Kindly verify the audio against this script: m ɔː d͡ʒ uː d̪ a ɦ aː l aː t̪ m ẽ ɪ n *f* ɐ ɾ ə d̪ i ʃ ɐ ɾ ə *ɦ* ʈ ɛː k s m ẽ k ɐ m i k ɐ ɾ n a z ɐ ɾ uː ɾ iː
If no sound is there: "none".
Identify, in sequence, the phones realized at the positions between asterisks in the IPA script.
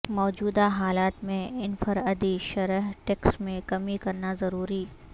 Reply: f, ɦ

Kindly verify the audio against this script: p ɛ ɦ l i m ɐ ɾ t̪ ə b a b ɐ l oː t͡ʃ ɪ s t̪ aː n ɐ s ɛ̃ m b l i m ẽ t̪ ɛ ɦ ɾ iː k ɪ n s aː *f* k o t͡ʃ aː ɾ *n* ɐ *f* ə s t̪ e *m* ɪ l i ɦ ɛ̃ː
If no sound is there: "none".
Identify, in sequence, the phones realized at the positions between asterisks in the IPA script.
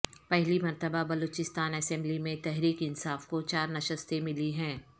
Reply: f, n, ʃ, m

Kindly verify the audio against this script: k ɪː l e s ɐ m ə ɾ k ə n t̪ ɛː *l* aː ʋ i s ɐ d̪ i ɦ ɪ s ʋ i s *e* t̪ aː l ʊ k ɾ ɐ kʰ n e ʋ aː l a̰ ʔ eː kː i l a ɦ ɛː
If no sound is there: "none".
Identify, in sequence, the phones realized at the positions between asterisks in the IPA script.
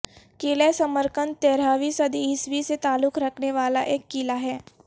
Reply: ɾ, e

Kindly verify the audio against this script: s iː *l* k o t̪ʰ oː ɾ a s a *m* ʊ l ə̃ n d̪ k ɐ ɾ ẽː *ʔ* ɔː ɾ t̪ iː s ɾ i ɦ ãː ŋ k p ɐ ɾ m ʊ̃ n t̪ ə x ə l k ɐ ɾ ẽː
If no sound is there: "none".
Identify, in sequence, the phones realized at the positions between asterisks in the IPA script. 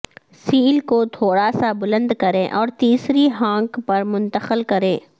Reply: l, b, ʔ

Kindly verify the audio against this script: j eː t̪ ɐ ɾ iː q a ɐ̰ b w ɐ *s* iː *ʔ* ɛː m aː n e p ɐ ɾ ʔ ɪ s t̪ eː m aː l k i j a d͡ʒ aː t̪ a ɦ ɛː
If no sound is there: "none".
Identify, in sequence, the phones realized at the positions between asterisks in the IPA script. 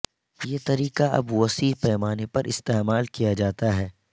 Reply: s, p

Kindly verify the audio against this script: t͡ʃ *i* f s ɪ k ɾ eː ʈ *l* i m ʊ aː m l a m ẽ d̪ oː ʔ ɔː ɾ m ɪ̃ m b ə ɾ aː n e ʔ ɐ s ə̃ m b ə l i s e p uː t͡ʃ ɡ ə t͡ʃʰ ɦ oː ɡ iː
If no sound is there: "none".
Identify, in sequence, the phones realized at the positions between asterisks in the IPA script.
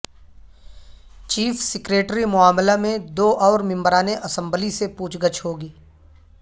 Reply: iː, ɾ

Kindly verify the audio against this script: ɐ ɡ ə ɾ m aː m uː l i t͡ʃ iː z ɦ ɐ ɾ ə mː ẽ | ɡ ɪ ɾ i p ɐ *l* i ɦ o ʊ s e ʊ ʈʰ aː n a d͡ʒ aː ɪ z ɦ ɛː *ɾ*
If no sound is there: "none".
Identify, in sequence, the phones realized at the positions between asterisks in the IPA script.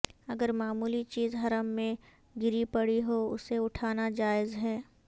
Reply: ɽ, none

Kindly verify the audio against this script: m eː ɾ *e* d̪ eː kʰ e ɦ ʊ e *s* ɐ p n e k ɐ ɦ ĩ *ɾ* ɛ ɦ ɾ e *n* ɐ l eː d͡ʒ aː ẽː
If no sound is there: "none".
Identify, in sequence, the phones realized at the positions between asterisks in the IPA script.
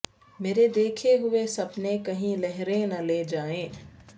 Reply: e, s, l, n

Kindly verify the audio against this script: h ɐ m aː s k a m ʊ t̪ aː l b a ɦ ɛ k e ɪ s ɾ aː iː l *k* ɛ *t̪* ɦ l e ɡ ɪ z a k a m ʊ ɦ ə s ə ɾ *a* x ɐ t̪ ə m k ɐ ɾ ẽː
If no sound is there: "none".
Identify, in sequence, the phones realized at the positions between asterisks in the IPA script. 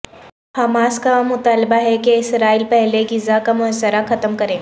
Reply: p, none, a

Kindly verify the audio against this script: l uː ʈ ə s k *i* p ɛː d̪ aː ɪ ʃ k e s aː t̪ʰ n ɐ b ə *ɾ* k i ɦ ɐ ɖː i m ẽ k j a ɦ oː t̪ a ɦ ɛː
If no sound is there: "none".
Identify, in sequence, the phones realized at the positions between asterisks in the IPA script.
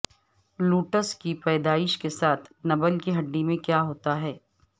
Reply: i, l

